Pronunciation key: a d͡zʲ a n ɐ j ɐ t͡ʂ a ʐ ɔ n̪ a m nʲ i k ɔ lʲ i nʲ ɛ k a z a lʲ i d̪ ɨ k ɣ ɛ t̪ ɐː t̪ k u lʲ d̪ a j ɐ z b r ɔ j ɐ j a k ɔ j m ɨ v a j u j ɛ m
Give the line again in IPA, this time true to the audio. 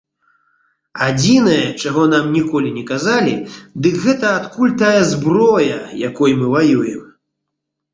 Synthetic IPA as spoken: a d͡zʲ i n ɐ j ɐ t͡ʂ a ɣ ɔ n̪ a m nʲ i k ɔ lʲ i nʲ ɛ k a z a lʲ i d̪ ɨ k ɣ ɛ t̪ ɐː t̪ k u lʲ t̪ a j ɐ z b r ɔ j ɐ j a k ɔ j m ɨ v a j u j ɛ m

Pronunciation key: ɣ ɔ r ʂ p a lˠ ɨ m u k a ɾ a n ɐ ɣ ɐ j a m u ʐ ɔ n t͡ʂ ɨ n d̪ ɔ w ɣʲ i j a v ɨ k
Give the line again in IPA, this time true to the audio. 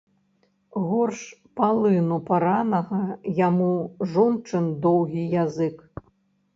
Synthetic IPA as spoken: ɣ ɔ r ʂ p a lˠ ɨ n u p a ɾ a n ɐ ɣ ɐ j a m u ʐ ɔ n t͡ʂ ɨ n d̪ ɔ w ɣʲ i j a z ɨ k

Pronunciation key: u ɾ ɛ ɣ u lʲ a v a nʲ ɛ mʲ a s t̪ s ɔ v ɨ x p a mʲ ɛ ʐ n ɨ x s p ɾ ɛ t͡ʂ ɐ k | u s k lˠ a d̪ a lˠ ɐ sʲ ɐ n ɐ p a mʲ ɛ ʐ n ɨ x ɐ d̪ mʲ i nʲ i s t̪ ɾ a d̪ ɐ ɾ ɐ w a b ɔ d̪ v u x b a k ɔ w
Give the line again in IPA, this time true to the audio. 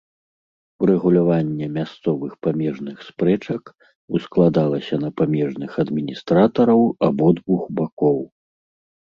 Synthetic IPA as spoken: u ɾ ɛ ɣ u lʲ a v a nʲː ɛ mʲ a s t̪ s ɔ v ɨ x p a mʲ ɛ ʐ n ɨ x s p ɾ ɛ t͡ʂ ɐ k | u s k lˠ a d̪ a lˠ ɐ sʲ ɐ n ɐ p a mʲ ɛ ʐ n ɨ x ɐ d̪ mʲ i nʲ i s t̪ ɾ a t̪ ɐ ɾ ɐ w a b ɔ d̪ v u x b a k ɔ w

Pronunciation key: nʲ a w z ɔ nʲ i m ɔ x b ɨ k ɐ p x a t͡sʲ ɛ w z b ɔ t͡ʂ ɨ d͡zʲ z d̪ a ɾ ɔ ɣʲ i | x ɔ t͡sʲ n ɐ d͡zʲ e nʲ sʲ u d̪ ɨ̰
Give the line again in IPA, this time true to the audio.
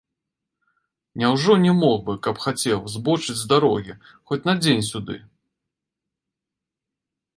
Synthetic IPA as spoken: nʲ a w ʐ ɔ nʲ ɛ m ɔ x b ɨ k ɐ p x a t͡sʲ ɛ w z b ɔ t͡ʂ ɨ d͡zʲ z d̪ a ɾ ɔ ɣʲ i | x ɔ t͡sʲ n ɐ d͡zʲ e nʲ sʲ u d̪ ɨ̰

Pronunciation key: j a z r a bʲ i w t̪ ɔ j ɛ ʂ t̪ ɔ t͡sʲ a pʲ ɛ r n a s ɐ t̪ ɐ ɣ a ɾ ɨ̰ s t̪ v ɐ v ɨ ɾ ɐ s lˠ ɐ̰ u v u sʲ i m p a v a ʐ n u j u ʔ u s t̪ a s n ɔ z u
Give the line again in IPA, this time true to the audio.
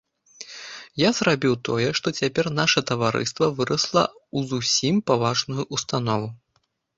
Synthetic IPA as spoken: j a z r a bʲ i w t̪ ɔ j ɛ ʂ t̪ ɔ t͡sʲ a pʲ ɛ r n a ʂ ɐ t̪ ɐ v a ɾ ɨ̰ s t̪ v ɐ v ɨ ɾ ɐ s lˠ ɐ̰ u z u sʲ i m p a v a ʐ n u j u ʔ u s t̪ a n ɔ v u

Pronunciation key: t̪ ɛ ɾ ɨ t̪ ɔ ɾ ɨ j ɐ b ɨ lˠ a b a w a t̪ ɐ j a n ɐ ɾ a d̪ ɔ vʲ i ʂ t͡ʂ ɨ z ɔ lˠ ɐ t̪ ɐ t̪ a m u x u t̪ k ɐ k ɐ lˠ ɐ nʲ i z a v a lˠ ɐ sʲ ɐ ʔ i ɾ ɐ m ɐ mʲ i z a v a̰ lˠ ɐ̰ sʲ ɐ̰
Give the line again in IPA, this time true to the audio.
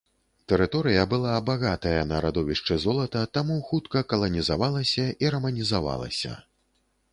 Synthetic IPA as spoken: t̪ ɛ ɾ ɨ t̪ ɔ ɾ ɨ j ɐ b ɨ lˠ a b a ɣ a t̪ ɐ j ɐ n ɐ ɾ a d̪ ɔ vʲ i ʂ t͡ʂ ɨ z ɔ lˠ ɐ t̪ ɐ t̪ a m u x u t̪ k ɐ k ɐ lˠ ɐ nʲ i z a v a lˠ ɐ sʲ ɐ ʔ i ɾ ɐ m ɐ nʲ i z a v a̰ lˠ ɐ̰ sʲ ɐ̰

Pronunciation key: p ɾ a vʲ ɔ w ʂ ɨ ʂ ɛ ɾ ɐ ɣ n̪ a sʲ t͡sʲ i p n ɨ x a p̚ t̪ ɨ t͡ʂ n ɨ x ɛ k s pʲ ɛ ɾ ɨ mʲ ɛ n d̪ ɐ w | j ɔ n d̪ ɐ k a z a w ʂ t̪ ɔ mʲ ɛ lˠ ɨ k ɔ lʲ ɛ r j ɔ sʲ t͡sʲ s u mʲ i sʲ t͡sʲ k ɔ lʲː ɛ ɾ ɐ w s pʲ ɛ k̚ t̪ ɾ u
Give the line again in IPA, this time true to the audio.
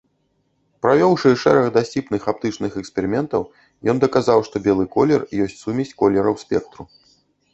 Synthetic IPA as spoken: p ɾ a vʲ ɔ w ʂ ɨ ʂ ɛ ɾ ɐ ɣ d̪ a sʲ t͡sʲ i p n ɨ x a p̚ t̪ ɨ t͡ʂ n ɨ x ɛ k s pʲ ɛ ɾ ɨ mʲ ɛ n t̪ ɐ w | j ɔ n d̪ ɐ k a z a w ʂ t̪ ɔ bʲ ɛ lˠ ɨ k ɔ lʲ ɛ r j ɔ sʲ t͡sʲ s u mʲ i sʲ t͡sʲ k ɔ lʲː ɛ ɾ ɐ w s pʲ ɛ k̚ t̪ ɾ u

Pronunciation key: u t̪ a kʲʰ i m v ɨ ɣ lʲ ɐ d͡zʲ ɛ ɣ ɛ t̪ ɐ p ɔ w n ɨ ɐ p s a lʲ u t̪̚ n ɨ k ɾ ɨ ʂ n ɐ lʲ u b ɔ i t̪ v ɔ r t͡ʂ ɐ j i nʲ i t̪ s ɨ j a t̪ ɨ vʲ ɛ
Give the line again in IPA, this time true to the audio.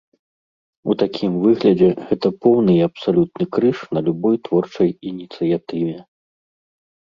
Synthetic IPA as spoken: u t̪ a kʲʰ i m v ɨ ɣ lʲ ɐ d͡zʲ ɛ ɣ ɛ t̪ ɐ p ɔ w n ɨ ɐ p s a lʲ u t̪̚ n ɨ k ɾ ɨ ʂ n ɐ lʲ u b ɔ j t̪ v ɔ r t͡ʂ ɐ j i nʲ i t̪ s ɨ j a t̪ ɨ vʲ ɛ

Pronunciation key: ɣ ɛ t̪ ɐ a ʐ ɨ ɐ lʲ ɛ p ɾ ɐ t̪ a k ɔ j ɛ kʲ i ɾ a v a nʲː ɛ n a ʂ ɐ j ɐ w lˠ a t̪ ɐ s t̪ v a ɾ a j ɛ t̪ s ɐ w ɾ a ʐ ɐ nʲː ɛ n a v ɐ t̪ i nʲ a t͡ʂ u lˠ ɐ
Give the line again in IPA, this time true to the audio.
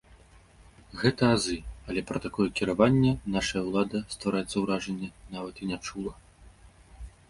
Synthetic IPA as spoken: ɣ ɛ t̪ ɐ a z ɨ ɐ lʲ ɛ p ɾ ɐ t̪ a k ɔ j ɛ kʲ i ɾ a v a nʲː ɛ n a ʂ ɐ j ɐ w lˠ a d̪ ɐ s t̪ v a ɾ a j ɛ t̪ s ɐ w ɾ a ʐ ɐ nʲː ɛ n a v ɐ t̪ i nʲ a t͡ʂ u lˠ ɐ

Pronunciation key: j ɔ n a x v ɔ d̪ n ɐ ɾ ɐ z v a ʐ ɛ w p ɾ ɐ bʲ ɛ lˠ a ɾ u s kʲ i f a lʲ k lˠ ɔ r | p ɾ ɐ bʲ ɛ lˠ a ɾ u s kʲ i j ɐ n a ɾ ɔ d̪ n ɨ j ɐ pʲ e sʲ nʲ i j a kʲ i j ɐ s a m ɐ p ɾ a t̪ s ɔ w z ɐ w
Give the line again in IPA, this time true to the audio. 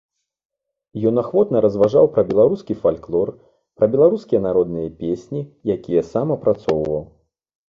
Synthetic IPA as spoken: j ɔ n a x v ɔ t̪ n ɐ ɾ ɐ z v a ʐ a w p ɾ ɐ bʲ ɛ lˠ a ɾ u s kʲ i f a lʲ k lˠ ɔ r | p ɾ ɐ bʲ ɛ lˠ a ɾ u s kʲ i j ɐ n a ɾ ɔ d̪ n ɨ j ɐ pʲ e sʲ nʲ i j a kʲ i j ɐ s a m ɐ p ɾ a t̪ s ɔ w v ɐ w

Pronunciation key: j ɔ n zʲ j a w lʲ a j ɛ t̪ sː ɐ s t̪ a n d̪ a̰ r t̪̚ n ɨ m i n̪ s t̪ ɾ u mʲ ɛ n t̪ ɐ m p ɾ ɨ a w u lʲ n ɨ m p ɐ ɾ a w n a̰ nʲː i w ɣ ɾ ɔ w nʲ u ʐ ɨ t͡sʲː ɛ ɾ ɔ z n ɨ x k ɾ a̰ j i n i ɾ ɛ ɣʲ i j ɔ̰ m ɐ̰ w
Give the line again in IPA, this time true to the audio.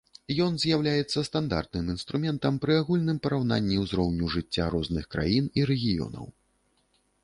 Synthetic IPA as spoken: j ɔ n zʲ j a w lʲ a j ɛ t̪ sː ɐ s t̪ a n d̪ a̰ r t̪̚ n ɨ m i n̪ s t̪ ɾ u mʲ ɛ n t̪ ɐ m p ɾ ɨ a ɣ u lʲ n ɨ m p ɐ ɾ a w n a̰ nʲː i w z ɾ ɔ w nʲ u ʐ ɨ t͡sʲː a ɾ ɔ z n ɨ x k ɾ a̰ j i n i ɾ ɛ ɣʲ i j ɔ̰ n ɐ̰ w

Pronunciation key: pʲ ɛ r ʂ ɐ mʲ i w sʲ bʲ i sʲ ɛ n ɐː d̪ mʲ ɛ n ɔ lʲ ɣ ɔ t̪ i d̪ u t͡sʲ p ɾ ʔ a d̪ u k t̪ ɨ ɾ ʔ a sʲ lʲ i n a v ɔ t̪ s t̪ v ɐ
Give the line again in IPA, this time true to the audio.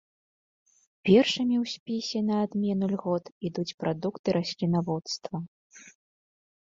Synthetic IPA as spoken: pʲ ɛ r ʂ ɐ mʲ i w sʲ pʲ i sʲ ɛ n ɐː d̪ mʲ ɛ n u lʲ ɣ ɔ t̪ i d̪ u t͡sʲ p ɾ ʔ a d̪ u k t̪ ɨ ɾ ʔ a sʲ lʲ i n a v ɔ t̪ s t̪ v ɐ

